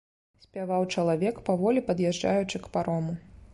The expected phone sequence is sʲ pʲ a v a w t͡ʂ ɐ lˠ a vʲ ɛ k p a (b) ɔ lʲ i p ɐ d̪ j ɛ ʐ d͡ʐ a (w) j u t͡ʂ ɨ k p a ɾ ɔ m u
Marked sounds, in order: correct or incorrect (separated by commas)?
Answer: incorrect, incorrect